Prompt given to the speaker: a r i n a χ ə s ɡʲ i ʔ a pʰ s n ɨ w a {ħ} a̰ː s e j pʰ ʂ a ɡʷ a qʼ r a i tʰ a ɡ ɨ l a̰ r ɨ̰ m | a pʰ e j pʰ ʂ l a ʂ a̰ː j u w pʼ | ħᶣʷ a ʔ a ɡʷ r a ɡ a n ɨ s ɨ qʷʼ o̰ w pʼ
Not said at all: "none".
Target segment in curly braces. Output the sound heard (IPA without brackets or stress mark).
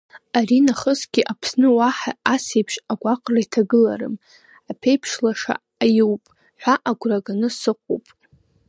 ħ